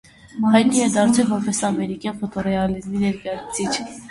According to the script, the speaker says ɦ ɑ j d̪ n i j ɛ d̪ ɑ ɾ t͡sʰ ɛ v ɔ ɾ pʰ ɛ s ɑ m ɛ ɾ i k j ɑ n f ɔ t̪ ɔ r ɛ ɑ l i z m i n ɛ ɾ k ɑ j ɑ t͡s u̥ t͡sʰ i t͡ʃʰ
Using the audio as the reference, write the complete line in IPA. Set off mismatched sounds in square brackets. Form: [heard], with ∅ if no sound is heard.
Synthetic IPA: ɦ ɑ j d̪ n i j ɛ d̪ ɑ ɾ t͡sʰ ɛ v ɔ ɾ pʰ ɛ s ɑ m ɛ ɾ i k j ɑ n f ɔ t̪ ɔ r ɛ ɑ l i z m i n ɛ ɾ k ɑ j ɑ [t͡sʰ] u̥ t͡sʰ i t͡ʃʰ